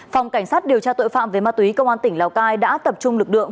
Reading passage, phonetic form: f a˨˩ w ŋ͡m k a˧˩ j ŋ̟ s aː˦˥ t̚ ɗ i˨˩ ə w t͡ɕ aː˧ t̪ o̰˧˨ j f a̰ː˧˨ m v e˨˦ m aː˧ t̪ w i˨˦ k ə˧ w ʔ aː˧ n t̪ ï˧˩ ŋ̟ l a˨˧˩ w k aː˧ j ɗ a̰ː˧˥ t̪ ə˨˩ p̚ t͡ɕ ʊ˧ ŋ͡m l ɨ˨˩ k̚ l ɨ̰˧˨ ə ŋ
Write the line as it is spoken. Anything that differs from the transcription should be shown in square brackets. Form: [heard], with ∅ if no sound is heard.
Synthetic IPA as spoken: f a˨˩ w ŋ͡m k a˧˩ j ŋ̟ s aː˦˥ t̚ ɗ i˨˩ ə w t͡ɕ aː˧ t̪ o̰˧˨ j f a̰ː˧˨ m v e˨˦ m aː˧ t̪ w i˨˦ k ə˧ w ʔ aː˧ n t̪ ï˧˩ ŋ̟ l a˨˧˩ w k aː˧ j ɗ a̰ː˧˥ t̪ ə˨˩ p̚ t͡ɕ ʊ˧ ŋ͡m l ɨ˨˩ k̚ l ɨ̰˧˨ ə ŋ